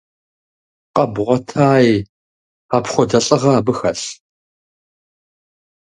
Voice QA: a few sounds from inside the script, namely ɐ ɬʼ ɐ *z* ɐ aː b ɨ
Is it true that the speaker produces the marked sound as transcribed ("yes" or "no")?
no